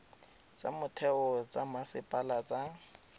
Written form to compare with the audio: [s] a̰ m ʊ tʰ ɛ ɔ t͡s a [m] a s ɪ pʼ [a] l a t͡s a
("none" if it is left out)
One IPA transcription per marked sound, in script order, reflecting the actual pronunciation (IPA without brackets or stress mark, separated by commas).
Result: t͡s, m, a